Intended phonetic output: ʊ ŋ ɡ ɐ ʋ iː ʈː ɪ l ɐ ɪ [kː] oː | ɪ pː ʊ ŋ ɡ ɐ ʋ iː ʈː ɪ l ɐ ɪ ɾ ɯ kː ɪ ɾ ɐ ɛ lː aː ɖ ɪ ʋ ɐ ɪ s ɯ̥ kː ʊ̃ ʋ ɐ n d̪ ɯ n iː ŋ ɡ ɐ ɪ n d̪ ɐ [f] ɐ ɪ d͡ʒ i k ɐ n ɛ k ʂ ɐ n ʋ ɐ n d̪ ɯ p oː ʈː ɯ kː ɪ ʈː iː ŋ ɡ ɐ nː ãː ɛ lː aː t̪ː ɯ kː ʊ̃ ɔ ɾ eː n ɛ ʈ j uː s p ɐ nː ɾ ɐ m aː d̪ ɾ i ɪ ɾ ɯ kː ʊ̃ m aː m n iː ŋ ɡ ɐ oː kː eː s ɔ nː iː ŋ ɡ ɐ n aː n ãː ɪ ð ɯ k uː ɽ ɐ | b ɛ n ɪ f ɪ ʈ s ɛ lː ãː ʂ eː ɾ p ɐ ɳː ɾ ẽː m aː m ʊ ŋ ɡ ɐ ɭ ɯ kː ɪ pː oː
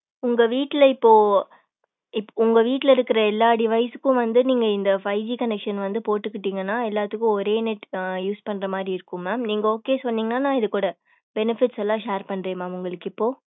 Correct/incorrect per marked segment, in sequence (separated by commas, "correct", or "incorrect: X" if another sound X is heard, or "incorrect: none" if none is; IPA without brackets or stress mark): incorrect: pː, correct